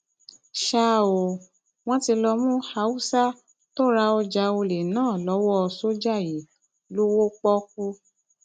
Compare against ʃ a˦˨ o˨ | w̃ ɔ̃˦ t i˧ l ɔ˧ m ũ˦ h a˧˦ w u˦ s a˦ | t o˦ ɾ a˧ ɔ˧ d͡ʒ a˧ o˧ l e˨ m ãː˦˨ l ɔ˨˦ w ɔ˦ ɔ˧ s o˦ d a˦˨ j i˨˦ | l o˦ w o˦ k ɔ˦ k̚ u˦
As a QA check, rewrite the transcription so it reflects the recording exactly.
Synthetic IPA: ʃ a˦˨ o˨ | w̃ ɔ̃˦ t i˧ l ɔ˧ m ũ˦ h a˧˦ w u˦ s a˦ | t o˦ ɾ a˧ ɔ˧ d͡ʒ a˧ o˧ l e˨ n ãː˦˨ l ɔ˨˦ w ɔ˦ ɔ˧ s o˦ d͡ʒ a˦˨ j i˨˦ | l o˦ w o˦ k͡p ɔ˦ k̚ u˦